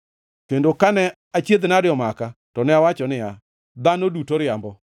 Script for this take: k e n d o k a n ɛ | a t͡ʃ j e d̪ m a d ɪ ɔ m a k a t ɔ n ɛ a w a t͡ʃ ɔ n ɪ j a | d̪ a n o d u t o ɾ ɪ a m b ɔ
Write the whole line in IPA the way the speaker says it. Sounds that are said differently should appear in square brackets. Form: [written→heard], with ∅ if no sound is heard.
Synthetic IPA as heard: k e n d o k a n ɛ | a t͡ʃ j e d̪ [m→n] a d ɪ ɔ m a k a t ɔ n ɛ a w a t͡ʃ ɔ n ɪ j a | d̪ a n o d u t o ɾ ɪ a m b ɔ